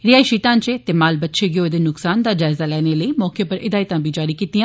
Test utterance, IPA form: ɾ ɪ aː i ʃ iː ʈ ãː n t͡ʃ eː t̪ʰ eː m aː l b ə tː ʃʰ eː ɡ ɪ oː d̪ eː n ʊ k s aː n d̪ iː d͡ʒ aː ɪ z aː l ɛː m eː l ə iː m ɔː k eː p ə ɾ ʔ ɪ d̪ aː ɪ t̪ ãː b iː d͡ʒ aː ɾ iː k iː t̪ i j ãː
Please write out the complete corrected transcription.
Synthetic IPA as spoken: ɾ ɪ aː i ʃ iː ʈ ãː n t͡ʃ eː t̪ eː m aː l b ə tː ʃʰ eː ɡ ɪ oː d̪ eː n ʊ k s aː n d̪ aː d͡ʒ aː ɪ z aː l ɛː n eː l ə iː m ɔː k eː p ə ɾ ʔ ɪ d̪ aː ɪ t̪ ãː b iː d͡ʒ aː ɾ iː k iː t̪ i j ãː